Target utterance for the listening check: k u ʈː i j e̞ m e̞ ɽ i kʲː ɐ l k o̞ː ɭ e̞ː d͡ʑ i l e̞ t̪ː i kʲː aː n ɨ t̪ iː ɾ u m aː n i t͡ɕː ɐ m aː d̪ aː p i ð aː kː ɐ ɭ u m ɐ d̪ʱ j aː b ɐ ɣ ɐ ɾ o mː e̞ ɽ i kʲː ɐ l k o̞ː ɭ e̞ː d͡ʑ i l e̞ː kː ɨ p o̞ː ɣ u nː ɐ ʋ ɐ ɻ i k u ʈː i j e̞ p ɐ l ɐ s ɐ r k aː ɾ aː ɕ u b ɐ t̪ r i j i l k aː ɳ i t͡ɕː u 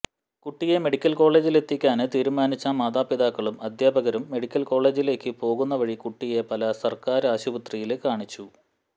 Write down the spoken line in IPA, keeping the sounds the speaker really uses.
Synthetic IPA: k u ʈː i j e̞ m e̞ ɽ i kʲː ɐ l k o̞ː ɭ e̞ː d͡ʑ i l e̞ t̪ː i kʲː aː n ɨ t̪ iː ɾ u m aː n i t͡ɕː ɐ m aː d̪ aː p i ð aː kː ɐ ɭ u m ɐ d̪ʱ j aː b ɐ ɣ ɐ ɾ u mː e̞ ɽ i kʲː ɐ l k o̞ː ɭ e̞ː d͡ʑ i l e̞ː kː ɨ p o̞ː ɣ u nː ɐ ʋ ɐ ɻ i k u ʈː i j e̞ p ɐ l ɐ s ɐ r k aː ɾ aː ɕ u b ɐ t̪ r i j i l k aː ɳ i t͡ɕː u